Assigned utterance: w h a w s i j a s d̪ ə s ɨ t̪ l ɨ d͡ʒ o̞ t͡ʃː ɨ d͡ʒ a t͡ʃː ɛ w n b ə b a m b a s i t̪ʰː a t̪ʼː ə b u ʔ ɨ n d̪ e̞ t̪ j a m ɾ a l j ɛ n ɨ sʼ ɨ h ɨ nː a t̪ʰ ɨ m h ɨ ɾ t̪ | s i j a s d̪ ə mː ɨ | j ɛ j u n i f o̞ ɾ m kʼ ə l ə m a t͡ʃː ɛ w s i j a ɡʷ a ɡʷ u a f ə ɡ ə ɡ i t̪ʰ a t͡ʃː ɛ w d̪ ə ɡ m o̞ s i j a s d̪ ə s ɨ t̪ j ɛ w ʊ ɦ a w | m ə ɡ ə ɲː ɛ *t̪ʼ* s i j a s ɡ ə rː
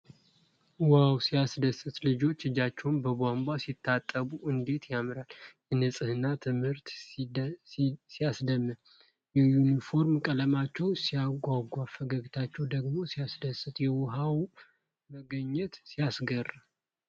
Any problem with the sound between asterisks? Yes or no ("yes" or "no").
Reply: yes